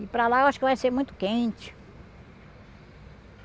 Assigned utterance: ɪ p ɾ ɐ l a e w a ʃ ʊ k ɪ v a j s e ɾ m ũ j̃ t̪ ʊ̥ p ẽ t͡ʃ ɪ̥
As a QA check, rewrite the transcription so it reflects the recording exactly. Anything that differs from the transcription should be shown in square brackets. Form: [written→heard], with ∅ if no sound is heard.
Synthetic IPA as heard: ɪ p ɾ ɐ l a e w a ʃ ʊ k ɪ v a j s e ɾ m ũ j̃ t̪ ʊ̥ [p→k] ẽ t͡ʃ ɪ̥